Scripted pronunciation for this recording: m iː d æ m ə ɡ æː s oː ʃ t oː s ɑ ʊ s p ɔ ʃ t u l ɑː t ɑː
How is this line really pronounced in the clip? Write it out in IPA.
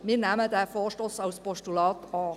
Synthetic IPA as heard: m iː n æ m ə d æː f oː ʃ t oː s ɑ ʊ s p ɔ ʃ t u l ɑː t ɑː